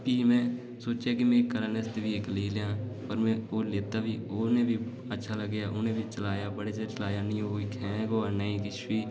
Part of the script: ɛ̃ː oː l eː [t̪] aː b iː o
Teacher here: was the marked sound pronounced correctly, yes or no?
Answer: yes